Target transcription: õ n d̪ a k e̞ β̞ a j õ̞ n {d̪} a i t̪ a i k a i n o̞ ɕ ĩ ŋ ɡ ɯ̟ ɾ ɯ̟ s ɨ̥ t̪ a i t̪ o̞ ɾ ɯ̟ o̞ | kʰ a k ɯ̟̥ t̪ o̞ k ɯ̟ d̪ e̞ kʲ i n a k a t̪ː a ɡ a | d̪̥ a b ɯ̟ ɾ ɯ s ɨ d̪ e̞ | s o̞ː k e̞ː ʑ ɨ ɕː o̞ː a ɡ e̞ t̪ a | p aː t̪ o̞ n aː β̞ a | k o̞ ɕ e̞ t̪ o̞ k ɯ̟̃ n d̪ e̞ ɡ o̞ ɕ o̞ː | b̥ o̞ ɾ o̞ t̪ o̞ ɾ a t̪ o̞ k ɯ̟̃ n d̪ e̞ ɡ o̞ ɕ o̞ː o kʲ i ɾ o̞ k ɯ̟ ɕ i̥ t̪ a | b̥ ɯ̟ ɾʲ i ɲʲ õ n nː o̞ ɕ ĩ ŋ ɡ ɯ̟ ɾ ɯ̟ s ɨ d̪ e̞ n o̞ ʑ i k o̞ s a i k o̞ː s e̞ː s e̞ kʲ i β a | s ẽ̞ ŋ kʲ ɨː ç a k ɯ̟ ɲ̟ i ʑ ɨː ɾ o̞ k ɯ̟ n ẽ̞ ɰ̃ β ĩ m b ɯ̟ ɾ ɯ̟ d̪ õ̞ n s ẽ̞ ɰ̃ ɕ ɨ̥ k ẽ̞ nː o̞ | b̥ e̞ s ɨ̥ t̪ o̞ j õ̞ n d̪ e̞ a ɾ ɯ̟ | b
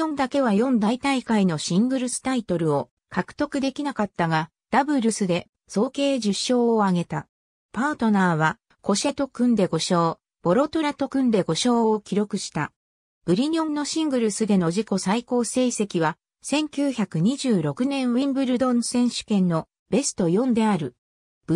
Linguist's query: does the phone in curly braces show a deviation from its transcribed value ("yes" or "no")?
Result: no